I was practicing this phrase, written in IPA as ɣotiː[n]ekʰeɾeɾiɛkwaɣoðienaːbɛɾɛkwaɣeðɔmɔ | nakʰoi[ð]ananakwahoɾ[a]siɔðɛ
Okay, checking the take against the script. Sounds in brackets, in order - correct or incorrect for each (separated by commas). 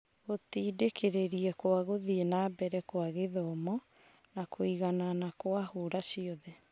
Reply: incorrect, incorrect, correct